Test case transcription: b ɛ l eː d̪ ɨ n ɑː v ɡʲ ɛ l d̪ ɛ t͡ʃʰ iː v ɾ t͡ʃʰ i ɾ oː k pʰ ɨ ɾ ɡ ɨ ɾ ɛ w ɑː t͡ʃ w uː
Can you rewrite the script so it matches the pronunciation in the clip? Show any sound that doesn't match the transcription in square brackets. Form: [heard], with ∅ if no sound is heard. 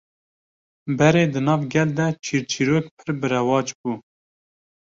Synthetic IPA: b ɛ [ɾ] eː d̪ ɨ n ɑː v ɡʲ ɛ l d̪ ɛ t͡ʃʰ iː [∅] ɾ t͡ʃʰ i ɾ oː k pʰ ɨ ɾ [b] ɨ ɾ ɛ w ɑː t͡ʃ [b] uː